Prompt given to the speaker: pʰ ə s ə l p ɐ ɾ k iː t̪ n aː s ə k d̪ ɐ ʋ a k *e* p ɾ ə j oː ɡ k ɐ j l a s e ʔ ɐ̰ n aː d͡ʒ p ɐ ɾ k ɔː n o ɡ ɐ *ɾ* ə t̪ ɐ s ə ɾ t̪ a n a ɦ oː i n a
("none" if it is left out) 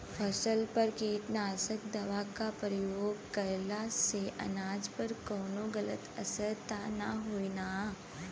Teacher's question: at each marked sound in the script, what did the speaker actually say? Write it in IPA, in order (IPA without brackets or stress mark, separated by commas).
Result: a, l